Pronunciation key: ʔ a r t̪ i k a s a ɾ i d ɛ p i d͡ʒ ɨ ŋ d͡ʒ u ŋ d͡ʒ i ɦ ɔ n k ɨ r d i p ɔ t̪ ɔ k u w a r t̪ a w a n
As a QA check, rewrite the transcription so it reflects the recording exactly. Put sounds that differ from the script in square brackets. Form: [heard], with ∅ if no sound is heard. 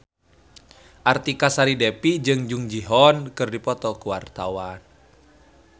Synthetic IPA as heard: ʔ a r t̪ i k a s a ɾ i d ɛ p i d͡ʒ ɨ ŋ d͡ʒ u ŋ d͡ʒ i ɦ ɔ n k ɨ r d i p ɔ t̪ ɔ k u w a r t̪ a w a n